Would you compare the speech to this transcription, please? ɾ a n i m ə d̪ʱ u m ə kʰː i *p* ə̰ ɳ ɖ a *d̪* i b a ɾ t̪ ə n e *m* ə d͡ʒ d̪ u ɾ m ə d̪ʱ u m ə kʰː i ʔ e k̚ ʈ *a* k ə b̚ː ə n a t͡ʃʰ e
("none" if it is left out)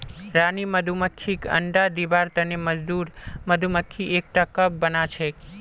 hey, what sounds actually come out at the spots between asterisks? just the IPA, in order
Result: k, d̪, m, a

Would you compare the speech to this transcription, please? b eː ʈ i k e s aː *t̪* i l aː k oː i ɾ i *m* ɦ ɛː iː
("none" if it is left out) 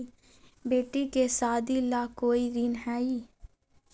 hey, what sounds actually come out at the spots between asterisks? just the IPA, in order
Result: d̪, n

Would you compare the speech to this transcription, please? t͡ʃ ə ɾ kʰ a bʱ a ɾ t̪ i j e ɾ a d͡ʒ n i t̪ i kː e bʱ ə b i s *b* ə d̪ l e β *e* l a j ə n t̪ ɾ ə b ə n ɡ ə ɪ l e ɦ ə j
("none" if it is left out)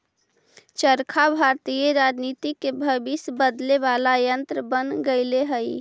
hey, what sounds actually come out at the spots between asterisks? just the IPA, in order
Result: b, a

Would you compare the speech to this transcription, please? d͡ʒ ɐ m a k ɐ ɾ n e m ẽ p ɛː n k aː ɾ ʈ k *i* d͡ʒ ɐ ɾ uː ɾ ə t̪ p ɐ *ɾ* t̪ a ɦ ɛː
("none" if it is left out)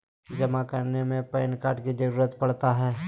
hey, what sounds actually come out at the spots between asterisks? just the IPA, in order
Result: i, ɽ

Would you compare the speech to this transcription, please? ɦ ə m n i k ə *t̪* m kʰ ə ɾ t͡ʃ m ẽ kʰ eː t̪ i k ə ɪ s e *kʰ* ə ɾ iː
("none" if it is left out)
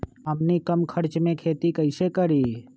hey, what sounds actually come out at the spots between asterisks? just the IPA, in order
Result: none, k

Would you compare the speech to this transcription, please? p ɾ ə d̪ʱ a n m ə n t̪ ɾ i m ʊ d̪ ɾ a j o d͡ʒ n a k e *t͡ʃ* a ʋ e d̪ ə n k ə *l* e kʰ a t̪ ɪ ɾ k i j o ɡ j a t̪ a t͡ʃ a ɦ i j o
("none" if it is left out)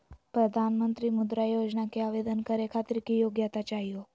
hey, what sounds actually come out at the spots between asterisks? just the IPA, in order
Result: none, ɾ

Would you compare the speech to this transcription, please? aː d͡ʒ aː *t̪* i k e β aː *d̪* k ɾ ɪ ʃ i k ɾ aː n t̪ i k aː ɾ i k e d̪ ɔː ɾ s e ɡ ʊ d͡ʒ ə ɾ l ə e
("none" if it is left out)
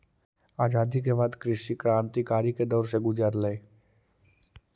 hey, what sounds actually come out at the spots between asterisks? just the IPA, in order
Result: d̪, d̪

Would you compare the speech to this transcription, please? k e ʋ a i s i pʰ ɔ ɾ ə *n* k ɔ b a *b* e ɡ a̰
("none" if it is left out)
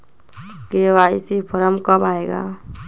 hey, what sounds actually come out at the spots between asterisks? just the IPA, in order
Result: m, none

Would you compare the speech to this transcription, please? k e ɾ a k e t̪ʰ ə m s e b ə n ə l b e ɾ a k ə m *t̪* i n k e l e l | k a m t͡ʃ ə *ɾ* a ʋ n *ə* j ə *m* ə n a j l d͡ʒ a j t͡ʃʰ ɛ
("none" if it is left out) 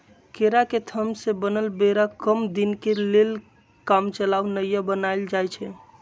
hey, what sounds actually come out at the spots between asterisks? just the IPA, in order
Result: d̪, l, ə, b

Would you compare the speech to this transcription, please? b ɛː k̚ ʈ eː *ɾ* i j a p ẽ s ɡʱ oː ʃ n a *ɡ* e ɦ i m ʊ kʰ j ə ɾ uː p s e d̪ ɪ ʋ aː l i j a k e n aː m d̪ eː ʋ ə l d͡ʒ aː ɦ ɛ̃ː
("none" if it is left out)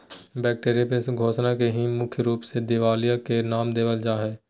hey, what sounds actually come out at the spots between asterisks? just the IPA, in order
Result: ɾ, k

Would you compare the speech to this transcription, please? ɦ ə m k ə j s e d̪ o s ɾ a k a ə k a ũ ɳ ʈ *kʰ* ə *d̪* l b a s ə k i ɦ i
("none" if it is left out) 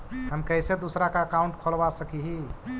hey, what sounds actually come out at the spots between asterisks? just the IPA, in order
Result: kʰ, none

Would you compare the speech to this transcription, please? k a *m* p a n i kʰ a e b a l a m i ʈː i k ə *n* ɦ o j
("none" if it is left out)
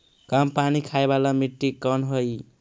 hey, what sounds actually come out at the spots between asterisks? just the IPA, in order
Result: m, n

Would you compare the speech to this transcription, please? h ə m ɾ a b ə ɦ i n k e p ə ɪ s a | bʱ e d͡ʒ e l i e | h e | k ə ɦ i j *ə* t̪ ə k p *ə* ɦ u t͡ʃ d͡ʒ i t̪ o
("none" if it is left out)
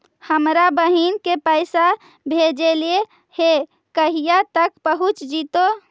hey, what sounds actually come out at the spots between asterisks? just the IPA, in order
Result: a, ə

